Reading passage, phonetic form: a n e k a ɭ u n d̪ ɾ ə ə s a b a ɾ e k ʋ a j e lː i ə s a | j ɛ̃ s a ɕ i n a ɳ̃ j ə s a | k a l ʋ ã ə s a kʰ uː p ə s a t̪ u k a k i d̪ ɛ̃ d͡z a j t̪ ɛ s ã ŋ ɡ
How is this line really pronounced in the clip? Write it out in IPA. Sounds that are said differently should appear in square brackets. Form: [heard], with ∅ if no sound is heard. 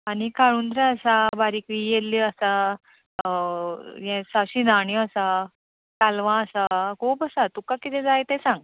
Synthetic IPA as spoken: a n [i] k a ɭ u n d̪ ɾ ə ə s a b a ɾ [i] k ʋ [i] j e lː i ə s a | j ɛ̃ s a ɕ i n a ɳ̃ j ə s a | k a l ʋ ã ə s a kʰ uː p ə s a t̪ u k a k i [t̪] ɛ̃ d͡z a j t̪ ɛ s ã ŋ ɡ